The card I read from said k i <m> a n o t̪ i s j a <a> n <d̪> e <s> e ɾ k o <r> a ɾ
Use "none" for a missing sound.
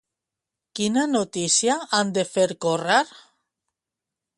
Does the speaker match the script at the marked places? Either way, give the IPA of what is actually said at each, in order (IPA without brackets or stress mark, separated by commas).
n, a, d̪, f, r